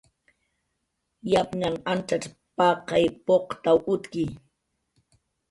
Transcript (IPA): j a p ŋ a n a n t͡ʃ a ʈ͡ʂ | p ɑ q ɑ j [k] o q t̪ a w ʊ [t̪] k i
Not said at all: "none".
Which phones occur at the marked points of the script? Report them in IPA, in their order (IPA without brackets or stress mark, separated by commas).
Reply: p, t̪